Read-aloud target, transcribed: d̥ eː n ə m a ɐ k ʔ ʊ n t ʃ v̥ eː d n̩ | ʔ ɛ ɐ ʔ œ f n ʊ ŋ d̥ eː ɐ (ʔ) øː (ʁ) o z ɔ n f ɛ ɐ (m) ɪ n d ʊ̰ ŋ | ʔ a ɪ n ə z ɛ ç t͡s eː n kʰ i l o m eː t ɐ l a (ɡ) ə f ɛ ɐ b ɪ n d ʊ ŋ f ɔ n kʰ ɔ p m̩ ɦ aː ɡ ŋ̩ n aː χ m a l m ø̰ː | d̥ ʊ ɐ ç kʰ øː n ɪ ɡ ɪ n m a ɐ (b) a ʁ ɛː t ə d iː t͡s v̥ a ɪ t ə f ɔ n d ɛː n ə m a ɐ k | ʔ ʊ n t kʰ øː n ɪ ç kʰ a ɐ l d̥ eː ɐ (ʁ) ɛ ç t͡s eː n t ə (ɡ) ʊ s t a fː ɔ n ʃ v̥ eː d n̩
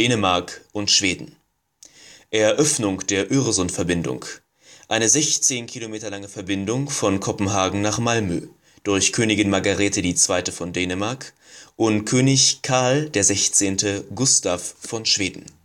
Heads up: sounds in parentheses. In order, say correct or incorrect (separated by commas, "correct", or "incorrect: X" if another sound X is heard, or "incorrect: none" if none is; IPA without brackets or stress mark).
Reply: correct, correct, incorrect: b, incorrect: ŋ, incorrect: ɡ, incorrect: z, correct